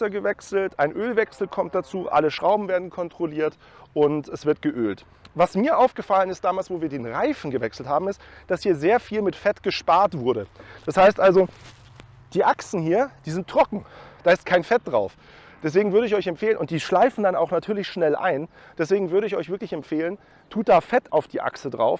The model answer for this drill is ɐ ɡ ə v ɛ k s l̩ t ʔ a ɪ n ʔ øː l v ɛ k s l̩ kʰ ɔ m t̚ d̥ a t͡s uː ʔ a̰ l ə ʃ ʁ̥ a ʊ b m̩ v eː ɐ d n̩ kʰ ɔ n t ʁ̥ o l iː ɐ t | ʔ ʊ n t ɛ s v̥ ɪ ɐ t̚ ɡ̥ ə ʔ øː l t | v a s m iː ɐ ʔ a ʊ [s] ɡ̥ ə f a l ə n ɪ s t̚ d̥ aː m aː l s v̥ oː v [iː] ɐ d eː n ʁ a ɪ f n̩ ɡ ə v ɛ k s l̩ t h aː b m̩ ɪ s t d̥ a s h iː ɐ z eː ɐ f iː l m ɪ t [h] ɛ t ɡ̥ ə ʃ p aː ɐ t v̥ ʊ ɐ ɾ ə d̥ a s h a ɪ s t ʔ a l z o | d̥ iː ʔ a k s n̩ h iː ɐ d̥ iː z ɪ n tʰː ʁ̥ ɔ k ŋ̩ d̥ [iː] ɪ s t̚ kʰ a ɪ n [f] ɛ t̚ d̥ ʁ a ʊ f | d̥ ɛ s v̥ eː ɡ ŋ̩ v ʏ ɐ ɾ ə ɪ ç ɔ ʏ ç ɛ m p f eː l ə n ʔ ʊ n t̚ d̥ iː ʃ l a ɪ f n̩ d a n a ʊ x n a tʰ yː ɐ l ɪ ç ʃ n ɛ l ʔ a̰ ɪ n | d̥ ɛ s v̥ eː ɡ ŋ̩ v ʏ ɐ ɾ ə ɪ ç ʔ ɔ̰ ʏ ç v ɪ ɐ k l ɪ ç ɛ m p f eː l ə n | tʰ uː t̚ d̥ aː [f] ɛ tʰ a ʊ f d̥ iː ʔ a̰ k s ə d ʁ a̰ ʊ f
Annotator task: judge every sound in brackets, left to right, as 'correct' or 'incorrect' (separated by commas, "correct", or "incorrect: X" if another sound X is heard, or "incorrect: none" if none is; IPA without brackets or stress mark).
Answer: incorrect: f, correct, incorrect: f, incorrect: aː, correct, correct